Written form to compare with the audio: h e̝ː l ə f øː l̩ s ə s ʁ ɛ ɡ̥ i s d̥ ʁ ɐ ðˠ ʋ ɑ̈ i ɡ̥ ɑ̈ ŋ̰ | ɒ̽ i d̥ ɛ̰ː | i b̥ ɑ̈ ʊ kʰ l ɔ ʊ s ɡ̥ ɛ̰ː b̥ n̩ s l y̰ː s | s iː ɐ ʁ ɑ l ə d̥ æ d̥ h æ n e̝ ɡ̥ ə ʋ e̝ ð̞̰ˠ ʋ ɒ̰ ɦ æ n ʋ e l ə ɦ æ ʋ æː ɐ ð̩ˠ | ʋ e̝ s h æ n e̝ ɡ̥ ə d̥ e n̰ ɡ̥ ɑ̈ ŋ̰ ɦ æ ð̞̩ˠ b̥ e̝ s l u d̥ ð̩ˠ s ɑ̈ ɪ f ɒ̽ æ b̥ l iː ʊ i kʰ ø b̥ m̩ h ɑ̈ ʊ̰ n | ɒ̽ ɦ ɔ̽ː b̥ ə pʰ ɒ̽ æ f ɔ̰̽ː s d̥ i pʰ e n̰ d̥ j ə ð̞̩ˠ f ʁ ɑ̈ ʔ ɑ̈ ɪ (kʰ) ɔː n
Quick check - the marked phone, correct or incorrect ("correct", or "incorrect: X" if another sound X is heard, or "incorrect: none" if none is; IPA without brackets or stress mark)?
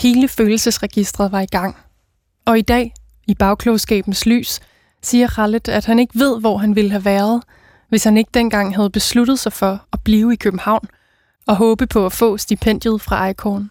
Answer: correct